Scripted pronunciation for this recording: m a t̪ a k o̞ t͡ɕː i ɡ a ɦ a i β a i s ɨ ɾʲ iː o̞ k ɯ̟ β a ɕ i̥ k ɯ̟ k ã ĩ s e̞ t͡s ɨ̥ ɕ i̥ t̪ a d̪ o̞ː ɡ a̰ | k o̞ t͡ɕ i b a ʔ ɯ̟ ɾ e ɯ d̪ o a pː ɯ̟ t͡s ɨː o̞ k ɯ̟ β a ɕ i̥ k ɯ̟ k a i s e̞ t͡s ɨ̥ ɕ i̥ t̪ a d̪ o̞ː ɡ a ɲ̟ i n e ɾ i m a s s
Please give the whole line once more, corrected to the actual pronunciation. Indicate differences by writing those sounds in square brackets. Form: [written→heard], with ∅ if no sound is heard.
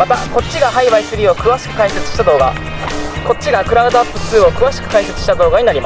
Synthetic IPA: m a t̪ a k o̞ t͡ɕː i ɡ a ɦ a i β a i s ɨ ɾʲ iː o̞ k ɯ̟ β a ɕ i̥ k ɯ̟ k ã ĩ s e̞ t͡s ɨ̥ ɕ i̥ t̪ a d̪ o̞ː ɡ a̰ | k o̞ t͡ɕ i [b→ɡ] a [ʔ→k] ɯ̟ ɾ [e→a] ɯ d̪ o a pː ɯ̟ t͡s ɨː o̞ k ɯ̟ β a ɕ i̥ k ɯ̟ k a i s e̞ t͡s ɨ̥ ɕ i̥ t̪ a d̪ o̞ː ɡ a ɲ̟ i n [e→a] ɾ i m a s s